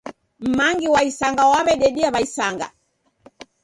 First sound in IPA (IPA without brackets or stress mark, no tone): m̩